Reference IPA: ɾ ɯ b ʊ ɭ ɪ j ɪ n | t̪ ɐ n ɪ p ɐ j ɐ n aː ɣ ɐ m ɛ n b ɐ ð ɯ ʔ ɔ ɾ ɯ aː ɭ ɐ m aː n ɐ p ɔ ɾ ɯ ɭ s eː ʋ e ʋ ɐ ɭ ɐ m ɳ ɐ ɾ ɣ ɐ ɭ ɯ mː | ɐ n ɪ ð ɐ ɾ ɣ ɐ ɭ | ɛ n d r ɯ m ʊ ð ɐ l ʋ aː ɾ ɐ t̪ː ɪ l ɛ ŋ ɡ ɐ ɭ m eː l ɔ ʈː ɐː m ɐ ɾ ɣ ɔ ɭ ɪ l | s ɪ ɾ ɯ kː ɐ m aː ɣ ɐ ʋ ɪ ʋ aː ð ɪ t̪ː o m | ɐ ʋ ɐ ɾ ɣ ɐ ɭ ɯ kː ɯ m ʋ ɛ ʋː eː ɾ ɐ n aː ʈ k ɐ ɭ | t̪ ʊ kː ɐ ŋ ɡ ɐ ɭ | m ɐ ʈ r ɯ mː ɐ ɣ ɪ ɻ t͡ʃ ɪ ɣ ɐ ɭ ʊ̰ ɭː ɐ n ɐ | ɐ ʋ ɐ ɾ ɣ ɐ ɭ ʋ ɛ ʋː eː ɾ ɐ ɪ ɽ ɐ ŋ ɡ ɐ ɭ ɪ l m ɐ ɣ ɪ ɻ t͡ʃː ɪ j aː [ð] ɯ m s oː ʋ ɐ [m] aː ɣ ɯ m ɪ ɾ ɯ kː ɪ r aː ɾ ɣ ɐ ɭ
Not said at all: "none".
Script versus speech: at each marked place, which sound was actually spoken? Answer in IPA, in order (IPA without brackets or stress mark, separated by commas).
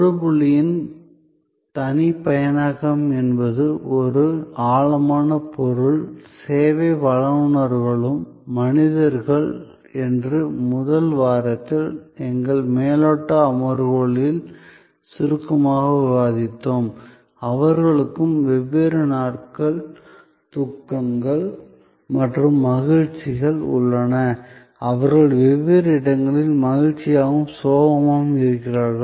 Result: ɣ, m